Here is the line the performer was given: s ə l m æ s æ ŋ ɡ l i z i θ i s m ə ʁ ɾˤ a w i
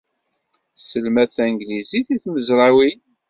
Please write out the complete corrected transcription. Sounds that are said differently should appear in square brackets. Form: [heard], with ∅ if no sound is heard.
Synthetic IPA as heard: s ə l m æ [θ] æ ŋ ɡ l i z i θ i [θ] m ə [z] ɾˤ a w i